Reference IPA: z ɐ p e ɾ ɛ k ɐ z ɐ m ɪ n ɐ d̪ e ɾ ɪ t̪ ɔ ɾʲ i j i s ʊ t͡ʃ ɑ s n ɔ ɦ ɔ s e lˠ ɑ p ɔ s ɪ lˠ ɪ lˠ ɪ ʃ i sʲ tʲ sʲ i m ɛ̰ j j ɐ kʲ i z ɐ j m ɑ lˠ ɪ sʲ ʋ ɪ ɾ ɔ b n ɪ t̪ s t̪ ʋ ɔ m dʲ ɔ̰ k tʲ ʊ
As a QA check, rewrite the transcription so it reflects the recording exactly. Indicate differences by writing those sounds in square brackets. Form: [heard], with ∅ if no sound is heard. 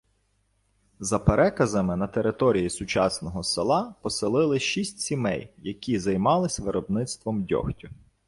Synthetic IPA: z ɐ p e ɾ ɛ k ɐ z ɐ m ɪ n ɐ [t̪] e ɾ ɪ t̪ ɔ ɾʲ i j i s ʊ t͡ʃ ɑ s n ɔ ɦ ɔ s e lˠ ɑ p ɔ s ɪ lˠ ɪ lˠ ɪ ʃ i sʲ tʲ sʲ i m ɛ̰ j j ɐ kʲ i z ɐ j m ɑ lˠ ɪ sʲ ʋ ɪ ɾ ɔ b n ɪ t̪ s t̪ ʋ ɔ m dʲ ɔ̰ [x] tʲ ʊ